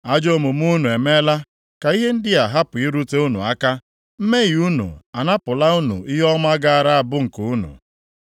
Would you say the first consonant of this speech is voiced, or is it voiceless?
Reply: voiced